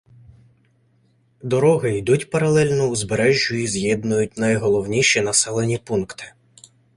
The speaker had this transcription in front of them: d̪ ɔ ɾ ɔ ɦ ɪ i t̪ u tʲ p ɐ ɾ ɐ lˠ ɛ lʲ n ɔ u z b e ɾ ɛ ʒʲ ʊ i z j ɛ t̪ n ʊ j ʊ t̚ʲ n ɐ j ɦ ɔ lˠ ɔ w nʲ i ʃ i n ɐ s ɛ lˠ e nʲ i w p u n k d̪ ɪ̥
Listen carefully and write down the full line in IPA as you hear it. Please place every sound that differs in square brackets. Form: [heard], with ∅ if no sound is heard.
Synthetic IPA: d̪ ɔ ɾ ɔ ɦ ɪ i [d̪] u tʲ p ɐ ɾ ɐ lˠ ɛ lʲ n ɔ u z b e ɾ ɛ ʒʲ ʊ i z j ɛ [d̪] n ʊ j ʊ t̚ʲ n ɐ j ɦ ɔ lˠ ɔ w nʲ i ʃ i n ɐ s ɛ lˠ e nʲ i [∅] p u n k [t̪] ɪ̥